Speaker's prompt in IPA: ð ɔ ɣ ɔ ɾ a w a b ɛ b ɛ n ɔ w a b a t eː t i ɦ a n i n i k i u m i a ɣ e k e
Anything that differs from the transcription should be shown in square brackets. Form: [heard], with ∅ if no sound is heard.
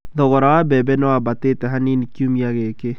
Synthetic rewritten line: ð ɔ ɣ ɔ ɾ a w a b ɛ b ɛ n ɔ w a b a t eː t [ɛ] ɦ a n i n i k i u m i a ɣ e k e